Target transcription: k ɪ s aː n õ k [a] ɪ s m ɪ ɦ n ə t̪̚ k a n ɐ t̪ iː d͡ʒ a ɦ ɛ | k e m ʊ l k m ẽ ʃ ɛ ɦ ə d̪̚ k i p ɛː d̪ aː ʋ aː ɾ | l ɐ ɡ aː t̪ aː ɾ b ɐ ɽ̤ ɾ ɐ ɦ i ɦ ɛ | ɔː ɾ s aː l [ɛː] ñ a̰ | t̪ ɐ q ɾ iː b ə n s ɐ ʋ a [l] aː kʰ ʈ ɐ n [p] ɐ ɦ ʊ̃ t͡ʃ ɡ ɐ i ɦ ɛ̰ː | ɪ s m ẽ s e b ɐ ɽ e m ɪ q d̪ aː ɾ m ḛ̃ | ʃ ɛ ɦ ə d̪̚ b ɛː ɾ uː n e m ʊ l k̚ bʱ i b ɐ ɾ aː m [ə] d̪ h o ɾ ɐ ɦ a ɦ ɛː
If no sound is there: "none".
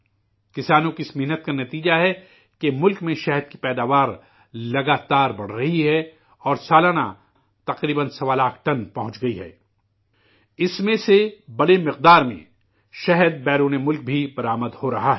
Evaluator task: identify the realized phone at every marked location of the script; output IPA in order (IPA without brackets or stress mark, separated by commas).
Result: i, aː, l, p, ə